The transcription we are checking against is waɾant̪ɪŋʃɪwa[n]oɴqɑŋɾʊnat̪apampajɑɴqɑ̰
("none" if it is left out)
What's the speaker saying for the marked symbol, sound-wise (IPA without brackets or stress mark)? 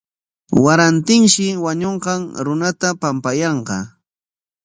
ɲ